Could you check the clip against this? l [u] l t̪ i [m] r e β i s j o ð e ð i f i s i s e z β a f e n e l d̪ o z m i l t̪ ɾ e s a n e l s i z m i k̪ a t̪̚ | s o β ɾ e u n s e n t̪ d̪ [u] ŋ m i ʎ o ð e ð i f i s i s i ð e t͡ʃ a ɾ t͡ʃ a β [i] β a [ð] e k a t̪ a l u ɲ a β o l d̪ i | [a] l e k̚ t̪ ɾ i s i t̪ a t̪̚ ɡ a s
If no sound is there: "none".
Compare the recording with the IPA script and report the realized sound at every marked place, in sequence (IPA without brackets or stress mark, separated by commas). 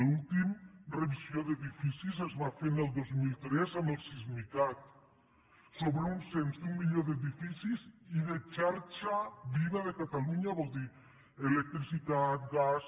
u, m, u, i, ð, e